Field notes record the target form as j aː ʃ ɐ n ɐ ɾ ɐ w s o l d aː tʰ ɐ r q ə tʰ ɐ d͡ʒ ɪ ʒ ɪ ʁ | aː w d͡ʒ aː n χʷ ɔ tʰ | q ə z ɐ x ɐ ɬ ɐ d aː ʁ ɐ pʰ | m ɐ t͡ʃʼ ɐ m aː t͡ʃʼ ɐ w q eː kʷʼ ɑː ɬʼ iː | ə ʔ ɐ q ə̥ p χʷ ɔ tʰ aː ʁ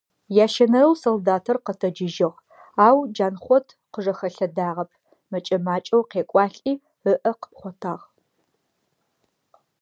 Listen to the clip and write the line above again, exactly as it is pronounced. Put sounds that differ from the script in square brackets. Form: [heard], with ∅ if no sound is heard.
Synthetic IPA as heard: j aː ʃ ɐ n ɐ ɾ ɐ w s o l d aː tʰ ɐ r q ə tʰ ɐ d͡ʒ ɪ ʒ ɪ ʁ | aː w d͡ʒ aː n χʷ ɔ tʰ | q ə [ʐ] ɐ x ɐ ɬ ɐ d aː ʁ ɐ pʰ | m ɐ t͡ʃʼ ɐ m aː t͡ʃʼ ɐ w q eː kʷʼ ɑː ɬʼ iː | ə ʔ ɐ q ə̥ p χʷ ɔ tʰ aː ʁ